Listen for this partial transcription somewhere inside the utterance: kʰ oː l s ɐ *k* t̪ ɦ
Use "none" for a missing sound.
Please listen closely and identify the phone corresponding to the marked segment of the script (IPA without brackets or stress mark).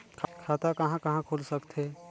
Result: k